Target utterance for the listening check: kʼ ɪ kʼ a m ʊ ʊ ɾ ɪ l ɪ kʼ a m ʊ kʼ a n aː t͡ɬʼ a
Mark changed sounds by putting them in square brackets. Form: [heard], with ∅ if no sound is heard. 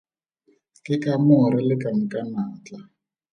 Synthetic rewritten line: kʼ ɪ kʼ a m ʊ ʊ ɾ ɪ l ɪ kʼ a m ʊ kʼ a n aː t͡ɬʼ a